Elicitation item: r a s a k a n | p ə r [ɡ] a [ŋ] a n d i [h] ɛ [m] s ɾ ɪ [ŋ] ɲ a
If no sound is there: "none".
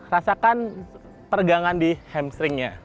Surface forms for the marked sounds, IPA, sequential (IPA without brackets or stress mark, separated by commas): ɡ, ŋ, h, m, ŋ